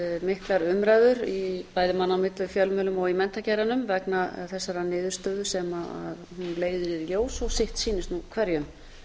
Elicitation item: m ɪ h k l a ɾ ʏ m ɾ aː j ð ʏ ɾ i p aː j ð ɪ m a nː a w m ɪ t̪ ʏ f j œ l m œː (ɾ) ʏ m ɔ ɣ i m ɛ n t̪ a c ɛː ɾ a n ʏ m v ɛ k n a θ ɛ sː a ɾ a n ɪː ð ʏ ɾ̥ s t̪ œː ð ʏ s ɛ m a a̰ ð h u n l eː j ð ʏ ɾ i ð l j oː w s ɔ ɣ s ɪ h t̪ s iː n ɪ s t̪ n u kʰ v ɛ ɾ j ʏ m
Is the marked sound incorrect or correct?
incorrect